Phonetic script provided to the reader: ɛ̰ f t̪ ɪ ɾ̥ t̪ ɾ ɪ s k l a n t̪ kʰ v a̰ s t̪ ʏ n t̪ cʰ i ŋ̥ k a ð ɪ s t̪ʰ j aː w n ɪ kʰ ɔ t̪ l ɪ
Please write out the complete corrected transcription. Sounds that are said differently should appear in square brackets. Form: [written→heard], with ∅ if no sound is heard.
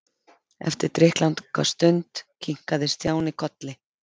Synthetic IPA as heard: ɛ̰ f t̪ ɪ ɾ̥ t̪ ɾ ɪ [s→h] k l a n t̪ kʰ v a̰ s t̪ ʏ n t̪ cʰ i ŋ̥ k a ð ɪ s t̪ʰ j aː w n ɪ kʰ ɔ t̪ l ɪ